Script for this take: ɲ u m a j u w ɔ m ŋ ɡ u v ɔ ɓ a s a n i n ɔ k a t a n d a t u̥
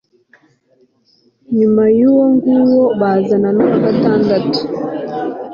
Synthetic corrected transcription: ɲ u m a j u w ɔ ŋ ɡ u w ɔ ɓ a z a n a n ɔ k a t a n d a t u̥